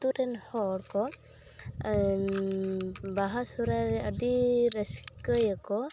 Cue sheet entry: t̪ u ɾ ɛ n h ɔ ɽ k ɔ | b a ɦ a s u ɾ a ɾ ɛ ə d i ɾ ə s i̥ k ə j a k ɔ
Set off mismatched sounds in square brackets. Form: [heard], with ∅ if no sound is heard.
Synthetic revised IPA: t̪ u ɾ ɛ n h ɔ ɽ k ɔ | b a ɦ a s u ɾ a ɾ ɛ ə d i ɾ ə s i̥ k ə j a k ɔ

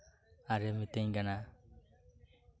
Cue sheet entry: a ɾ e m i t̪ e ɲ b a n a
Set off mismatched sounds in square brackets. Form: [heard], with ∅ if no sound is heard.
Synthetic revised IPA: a ɾ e m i t̪ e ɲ [ɡ] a n a

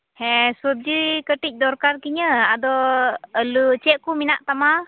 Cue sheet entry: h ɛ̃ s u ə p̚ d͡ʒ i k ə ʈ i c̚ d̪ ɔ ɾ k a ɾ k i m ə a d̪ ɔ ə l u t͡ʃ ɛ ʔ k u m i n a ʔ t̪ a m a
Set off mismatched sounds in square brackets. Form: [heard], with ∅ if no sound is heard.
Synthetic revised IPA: h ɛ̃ s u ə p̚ d͡ʒ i k ə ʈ i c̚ d̪ ɔ ɾ k a ɾ k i [ɲ] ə a d̪ ɔ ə l u t͡ʃ ɛ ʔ k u m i n a ʔ t̪ a m a

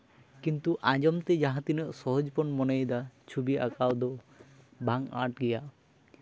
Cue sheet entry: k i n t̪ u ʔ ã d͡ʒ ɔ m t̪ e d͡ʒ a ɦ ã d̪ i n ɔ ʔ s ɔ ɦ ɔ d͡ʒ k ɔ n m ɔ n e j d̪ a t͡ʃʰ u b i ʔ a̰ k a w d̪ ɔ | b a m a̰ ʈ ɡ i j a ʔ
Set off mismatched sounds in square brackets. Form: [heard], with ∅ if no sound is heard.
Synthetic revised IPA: k i n t̪ u ʔ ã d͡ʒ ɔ m t̪ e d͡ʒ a ɦ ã [t̪] i n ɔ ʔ s ɔ ɦ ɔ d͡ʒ [p] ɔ n m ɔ n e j d̪ a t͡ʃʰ u b i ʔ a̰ k a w d̪ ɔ | b a [ŋ] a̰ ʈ ɡ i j a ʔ

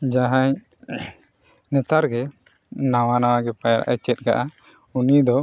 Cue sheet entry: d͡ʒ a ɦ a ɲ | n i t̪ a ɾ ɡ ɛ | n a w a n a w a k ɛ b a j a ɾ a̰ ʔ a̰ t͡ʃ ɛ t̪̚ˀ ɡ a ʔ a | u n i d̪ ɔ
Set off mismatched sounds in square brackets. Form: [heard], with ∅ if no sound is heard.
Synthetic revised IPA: d͡ʒ a ɦ a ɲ | n [ɛ] t̪ a ɾ ɡ ɛ | n a w a n a w a [ɡ] ɛ [p] a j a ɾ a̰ ʔ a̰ t͡ʃ ɛ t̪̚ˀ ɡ a ʔ a | u n i d̪ ɔ

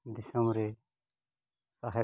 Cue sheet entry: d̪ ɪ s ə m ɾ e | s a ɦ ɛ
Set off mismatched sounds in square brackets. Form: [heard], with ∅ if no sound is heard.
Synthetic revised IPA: d̪ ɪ s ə m ɾ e | s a ɦ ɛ

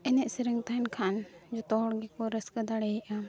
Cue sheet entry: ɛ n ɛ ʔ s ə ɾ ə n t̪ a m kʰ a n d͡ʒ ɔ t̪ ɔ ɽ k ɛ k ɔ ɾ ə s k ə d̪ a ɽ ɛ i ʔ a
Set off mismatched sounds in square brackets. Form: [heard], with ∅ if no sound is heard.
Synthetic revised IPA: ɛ n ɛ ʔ s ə ɾ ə [ŋ] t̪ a [n] kʰ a n d͡ʒ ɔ t̪ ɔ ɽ [ɡ] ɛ k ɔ ɾ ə s k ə d̪ a ɽ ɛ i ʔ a

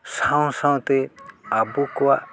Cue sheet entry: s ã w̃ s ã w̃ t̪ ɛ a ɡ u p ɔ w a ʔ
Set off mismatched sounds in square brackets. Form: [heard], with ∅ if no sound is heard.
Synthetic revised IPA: s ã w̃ s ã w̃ t̪ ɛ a [b] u [k] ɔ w a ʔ

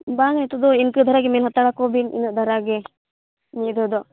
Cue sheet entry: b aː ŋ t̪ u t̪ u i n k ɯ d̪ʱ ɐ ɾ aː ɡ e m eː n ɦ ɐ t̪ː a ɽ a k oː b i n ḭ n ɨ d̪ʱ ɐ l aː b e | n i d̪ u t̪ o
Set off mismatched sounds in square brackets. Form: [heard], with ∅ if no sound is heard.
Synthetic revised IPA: b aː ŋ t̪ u [d̪] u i n k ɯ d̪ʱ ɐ ɾ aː ɡ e m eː n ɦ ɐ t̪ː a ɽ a k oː b i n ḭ n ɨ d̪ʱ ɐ [ɾ] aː [ɡ] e | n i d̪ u [d̪] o

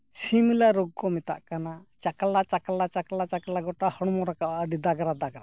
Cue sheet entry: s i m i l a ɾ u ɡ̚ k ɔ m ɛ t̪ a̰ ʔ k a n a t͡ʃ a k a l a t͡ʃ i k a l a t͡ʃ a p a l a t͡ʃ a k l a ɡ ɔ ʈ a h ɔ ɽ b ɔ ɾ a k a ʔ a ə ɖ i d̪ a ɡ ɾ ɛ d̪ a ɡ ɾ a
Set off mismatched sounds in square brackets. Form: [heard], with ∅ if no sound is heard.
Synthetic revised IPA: s i m i l a ɾ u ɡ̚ k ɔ m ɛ t̪ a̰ ʔ k a n a t͡ʃ a k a l a t͡ʃ [a] k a l a t͡ʃ a [k] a l a t͡ʃ a k l a ɡ ɔ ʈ a h ɔ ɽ [m] ɔ ɾ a k a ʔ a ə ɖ i d̪ a ɡ ɾ [a] d̪ a ɡ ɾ a

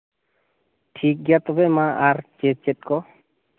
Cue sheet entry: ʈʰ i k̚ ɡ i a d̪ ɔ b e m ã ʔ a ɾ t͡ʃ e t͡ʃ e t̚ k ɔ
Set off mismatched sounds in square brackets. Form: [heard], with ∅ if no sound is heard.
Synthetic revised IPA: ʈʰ i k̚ ɡ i a [t̪] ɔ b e m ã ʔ a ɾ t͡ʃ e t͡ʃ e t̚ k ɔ

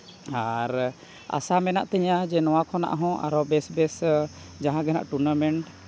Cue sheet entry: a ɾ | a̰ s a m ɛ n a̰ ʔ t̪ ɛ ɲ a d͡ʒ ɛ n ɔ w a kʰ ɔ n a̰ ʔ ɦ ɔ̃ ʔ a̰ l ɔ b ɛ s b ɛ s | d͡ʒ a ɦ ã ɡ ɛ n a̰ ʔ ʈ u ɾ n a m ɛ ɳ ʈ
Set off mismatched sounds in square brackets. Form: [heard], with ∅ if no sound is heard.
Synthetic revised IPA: a ɾ | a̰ s a m ɛ n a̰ ʔ t̪ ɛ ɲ a d͡ʒ ɛ n ɔ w a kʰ ɔ n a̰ ʔ ɦ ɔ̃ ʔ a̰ [ɾ] ɔ b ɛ s b ɛ s | d͡ʒ a ɦ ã ɡ ɛ n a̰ ʔ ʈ u ɾ n a m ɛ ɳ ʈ

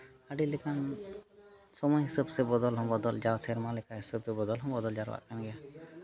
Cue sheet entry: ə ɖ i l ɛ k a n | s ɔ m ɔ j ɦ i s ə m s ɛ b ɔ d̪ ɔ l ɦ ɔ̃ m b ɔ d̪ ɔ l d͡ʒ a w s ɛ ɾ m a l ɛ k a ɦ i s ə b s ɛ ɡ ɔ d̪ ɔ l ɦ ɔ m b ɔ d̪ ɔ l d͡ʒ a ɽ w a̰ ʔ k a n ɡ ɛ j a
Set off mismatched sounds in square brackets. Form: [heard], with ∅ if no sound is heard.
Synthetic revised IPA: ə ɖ i l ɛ k a n | s ɔ m ɔ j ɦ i s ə [b] s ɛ b ɔ d̪ ɔ l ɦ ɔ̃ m b ɔ d̪ ɔ l d͡ʒ a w s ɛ ɾ m a l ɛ k a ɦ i s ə b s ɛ [b] ɔ d̪ ɔ l ɦ ɔ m b ɔ d̪ ɔ l d͡ʒ a [ɾ] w a̰ ʔ k a n ɡ ɛ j a

